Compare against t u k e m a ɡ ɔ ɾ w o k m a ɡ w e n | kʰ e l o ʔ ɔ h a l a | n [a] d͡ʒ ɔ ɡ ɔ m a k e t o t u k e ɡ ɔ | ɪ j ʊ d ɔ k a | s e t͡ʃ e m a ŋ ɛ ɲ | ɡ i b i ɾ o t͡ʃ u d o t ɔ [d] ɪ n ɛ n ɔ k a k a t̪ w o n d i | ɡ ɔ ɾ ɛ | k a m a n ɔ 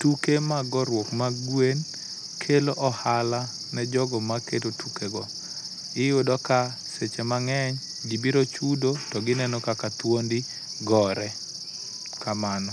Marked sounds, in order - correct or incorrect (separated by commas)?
incorrect, incorrect